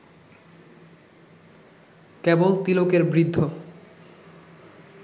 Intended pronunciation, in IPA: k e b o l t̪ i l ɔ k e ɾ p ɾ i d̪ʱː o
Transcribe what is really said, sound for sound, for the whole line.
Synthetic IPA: k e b o l t̪ i l o k e ɾ b ɾ i d̪ʱː o

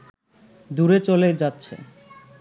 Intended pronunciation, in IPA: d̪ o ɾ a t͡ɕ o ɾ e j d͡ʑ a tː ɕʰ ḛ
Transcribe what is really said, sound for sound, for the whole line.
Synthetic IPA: d̪ u ɾ e t͡ɕ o l e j d͡ʑ a tː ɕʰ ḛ

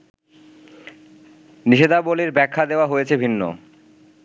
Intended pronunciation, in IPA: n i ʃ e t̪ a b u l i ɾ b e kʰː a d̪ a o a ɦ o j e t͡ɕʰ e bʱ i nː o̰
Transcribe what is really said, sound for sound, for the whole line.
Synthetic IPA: n i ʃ e d̪ a b o l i ɾ b ɛ kʰː a d̪ e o a ɦ o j e t͡ɕʰ e bʱ i nː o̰

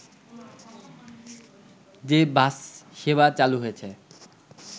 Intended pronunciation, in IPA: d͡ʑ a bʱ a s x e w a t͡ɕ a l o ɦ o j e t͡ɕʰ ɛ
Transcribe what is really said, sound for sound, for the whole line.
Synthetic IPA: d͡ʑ e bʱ a s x e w a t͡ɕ a l u ɦ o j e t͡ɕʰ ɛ

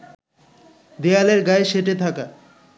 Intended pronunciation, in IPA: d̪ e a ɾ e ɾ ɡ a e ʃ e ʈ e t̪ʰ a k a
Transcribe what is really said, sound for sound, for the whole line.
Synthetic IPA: d̪ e a l e ɾ ɡ a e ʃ e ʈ e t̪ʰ a k a

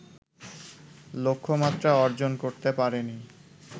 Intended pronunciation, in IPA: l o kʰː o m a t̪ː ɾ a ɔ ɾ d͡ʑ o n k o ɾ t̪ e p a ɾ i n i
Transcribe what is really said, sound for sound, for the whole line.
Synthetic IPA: l o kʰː o m a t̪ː ɾ a ɔ ɾ d͡ʑ o n k o ɾ t̪ e p a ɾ e n i

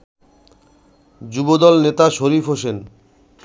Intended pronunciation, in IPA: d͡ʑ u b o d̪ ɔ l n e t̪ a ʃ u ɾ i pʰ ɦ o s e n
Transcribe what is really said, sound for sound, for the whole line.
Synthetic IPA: d͡ʑ u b o d̪ ɔ l n e t̪ a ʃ o ɾ i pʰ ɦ o ʃ e n

